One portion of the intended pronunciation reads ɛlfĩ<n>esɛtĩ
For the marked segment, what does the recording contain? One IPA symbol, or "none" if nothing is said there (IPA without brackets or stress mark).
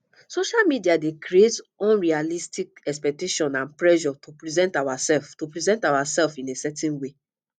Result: n